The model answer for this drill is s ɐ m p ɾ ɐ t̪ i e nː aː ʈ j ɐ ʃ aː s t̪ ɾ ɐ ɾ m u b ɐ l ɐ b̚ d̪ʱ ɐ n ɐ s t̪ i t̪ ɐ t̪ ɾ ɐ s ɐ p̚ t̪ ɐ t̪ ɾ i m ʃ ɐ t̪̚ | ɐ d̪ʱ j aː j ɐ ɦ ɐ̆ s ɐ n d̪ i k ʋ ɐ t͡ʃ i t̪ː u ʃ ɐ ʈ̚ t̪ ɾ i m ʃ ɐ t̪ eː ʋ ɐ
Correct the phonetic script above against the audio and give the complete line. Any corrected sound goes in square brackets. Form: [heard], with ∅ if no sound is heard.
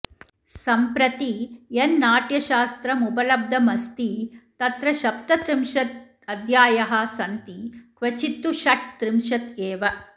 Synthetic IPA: s ɐ m p ɾ ɐ t̪ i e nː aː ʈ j ɐ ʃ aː s t̪ ɾ ɐ [∅] m u b ɐ l ɐ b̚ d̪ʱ ɐ [m] ɐ s t̪ i t̪ ɐ t̪ ɾ ɐ [ʃ] ɐ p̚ t̪ ɐ t̪ ɾ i m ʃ ɐ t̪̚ | ɐ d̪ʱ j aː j ɐ ɦ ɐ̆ s ɐ n [t̪] i k ʋ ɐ t͡ʃ i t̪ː u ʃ ɐ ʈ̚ t̪ ɾ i m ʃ ɐ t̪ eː ʋ ɐ